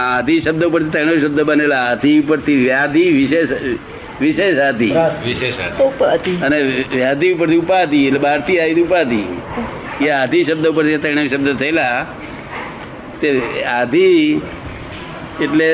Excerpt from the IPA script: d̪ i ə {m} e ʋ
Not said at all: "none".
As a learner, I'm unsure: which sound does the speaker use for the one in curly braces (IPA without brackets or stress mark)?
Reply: n